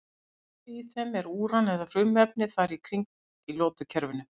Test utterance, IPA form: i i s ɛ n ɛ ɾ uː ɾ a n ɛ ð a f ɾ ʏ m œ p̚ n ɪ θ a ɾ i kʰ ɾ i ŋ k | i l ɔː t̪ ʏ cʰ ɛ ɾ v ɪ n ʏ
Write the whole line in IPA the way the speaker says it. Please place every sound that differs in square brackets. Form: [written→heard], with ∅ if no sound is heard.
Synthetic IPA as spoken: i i [s→θ] ɛ [n→m] ɛ ɾ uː ɾ a n ɛ ð a f ɾ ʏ m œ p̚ n ɪ θ a ɾ i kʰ ɾ i ŋ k | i l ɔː t̪ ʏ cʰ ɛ ɾ v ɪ n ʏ